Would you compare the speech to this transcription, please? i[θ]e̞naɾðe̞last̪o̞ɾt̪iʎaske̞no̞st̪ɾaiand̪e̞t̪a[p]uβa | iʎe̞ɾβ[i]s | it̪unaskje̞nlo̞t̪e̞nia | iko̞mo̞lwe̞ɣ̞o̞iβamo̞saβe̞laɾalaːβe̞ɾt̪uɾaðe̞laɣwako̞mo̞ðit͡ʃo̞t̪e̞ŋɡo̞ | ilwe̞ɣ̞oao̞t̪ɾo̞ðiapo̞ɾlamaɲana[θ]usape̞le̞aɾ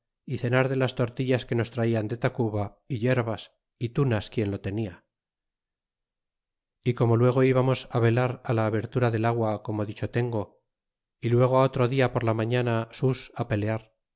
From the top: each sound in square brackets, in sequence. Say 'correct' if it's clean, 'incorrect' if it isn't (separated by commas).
correct, incorrect, incorrect, incorrect